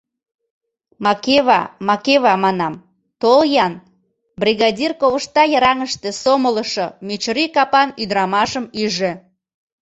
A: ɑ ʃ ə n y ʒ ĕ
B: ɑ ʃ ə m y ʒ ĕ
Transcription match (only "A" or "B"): B